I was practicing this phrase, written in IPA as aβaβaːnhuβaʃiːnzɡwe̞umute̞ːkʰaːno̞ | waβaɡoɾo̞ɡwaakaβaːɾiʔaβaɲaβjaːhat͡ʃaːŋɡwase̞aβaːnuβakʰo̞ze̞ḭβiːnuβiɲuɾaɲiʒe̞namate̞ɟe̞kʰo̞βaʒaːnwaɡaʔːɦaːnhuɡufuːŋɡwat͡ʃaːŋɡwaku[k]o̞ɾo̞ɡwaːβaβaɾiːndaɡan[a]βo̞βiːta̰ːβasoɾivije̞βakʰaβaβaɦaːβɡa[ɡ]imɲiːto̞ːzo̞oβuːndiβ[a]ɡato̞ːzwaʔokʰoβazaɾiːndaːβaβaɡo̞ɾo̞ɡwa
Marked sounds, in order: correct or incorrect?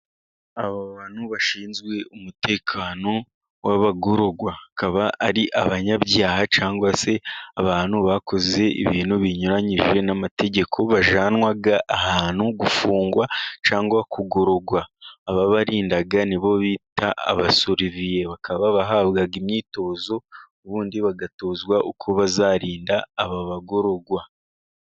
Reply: incorrect: ɡ, incorrect: i, correct, correct

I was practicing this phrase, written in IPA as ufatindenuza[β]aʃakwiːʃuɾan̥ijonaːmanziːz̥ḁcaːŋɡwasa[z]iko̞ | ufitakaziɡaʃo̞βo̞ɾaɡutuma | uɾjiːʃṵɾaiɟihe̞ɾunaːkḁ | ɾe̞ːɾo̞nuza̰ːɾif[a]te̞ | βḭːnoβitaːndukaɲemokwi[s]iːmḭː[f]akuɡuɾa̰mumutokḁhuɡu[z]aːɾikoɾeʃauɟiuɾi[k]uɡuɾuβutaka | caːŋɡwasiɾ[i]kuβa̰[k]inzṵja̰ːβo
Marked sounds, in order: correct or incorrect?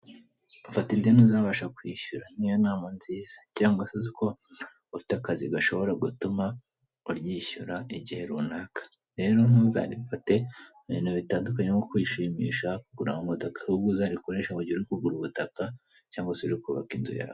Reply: correct, correct, correct, incorrect: ʃ, incorrect: ʃ, correct, correct, correct, correct

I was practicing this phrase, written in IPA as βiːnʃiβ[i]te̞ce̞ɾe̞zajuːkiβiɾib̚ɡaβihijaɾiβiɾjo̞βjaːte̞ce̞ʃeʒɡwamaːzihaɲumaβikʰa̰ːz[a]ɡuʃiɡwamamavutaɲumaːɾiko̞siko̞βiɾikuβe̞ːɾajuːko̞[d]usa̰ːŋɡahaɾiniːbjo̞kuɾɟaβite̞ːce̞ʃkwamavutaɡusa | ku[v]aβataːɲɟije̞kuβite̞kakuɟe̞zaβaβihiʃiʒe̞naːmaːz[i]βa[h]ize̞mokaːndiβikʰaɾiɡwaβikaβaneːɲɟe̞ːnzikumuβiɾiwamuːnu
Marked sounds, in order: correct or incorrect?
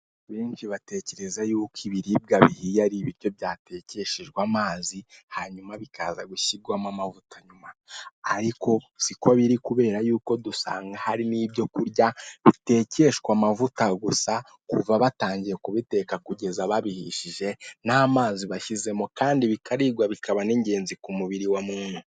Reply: incorrect: a, correct, correct, correct, correct, incorrect: ʃ

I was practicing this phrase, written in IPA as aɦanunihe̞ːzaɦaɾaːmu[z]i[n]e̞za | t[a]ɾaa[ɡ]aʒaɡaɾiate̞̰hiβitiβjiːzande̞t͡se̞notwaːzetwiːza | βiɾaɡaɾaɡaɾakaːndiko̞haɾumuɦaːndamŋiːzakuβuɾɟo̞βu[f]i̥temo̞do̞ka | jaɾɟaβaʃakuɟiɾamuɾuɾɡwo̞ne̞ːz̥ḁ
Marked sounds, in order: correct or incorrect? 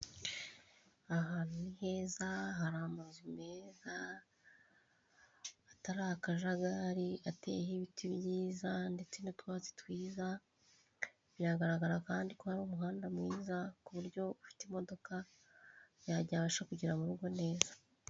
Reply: correct, incorrect: m, correct, incorrect: k, correct

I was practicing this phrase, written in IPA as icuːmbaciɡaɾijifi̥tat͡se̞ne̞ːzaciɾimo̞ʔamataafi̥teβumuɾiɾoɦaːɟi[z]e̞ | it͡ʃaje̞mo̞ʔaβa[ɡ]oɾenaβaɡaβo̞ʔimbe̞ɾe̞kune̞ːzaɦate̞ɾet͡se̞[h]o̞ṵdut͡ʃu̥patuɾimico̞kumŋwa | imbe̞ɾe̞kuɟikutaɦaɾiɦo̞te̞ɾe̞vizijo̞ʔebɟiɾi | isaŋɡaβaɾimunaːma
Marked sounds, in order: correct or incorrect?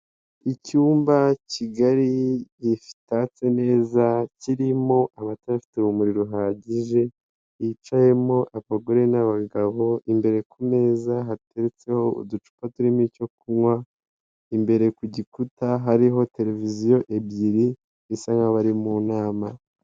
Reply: incorrect: ʒ, correct, correct

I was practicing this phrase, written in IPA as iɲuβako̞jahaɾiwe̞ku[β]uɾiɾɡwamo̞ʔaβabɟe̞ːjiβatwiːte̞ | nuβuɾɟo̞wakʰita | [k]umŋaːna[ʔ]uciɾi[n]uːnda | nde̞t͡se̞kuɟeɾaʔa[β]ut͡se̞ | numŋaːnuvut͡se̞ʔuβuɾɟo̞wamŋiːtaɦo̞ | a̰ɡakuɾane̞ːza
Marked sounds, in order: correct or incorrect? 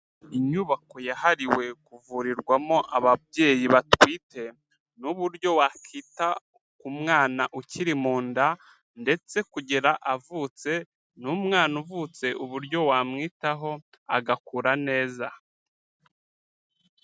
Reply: incorrect: v, correct, correct, incorrect: m, incorrect: v

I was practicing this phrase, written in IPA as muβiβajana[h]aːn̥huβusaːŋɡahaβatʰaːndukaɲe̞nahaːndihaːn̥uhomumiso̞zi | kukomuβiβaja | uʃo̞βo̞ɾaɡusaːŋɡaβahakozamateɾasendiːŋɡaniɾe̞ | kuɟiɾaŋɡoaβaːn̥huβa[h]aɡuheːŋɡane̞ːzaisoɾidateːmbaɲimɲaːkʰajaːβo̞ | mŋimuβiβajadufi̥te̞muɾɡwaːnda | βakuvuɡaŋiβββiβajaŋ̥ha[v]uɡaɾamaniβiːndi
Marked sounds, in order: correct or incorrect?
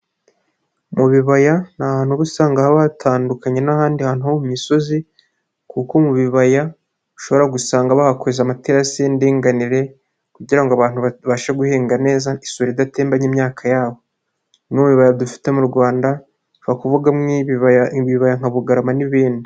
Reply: correct, incorrect: ʃ, incorrect: β

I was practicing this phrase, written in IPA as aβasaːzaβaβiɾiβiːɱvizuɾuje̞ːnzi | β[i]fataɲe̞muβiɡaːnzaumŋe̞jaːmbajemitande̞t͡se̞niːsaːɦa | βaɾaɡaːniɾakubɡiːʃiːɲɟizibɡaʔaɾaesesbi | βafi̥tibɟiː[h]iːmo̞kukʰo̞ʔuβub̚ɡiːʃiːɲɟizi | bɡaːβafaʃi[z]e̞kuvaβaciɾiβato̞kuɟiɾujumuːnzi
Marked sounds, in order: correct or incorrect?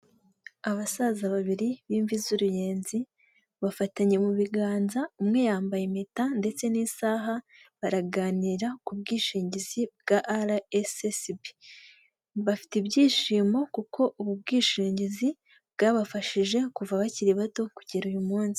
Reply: incorrect: a, incorrect: ʃ, incorrect: ʒ

